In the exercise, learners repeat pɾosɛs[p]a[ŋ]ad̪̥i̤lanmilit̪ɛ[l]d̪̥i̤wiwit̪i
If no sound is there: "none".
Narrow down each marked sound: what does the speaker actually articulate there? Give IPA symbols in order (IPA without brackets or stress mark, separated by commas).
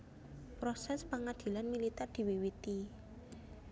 p, ŋ, r